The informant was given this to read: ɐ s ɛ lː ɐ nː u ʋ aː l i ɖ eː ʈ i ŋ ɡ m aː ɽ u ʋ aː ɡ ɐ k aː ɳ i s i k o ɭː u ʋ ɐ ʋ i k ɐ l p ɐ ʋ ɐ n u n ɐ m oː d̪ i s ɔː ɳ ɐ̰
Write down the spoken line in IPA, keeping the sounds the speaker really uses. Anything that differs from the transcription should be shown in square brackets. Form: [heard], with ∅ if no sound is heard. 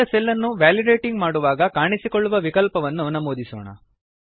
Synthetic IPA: ɐ s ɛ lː ɐ nː u ʋ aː l i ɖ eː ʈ i ŋ ɡ m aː ɽ u ʋ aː ɡ ɐ k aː ɳ i s i k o ɭː u ʋ ɐ ʋ i k ɐ l p ɐ ʋ ɐ [nː] u n ɐ m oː d̪ i s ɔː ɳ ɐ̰